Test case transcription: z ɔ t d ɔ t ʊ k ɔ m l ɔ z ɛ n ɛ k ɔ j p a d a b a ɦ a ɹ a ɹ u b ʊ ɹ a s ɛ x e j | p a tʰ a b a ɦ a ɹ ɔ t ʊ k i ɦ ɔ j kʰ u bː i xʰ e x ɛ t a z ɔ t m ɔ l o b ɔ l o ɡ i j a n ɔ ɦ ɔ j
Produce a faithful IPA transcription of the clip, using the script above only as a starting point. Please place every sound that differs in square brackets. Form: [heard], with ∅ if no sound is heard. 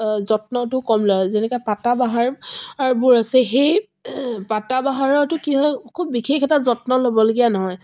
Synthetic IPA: z ɔ t [n] ɔ t ʊ k ɔ m l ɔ z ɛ n ɛ k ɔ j p a [t] a b a ɦ a ɹ a ɹ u b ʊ ɹ a s ɛ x e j | p a [t] a b a ɦ a ɹ ɔ t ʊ k i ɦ ɔ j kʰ u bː i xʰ e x ɛ t a z ɔ t [n] ɔ l o b ɔ l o ɡ i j a n ɔ ɦ ɔ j